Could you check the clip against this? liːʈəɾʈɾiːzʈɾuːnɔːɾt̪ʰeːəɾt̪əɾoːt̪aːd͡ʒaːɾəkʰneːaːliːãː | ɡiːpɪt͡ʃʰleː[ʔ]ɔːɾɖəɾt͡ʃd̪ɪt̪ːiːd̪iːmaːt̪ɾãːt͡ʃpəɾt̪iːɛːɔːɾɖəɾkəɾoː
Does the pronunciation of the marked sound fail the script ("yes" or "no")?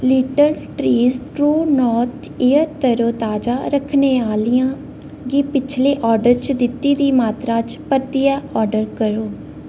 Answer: no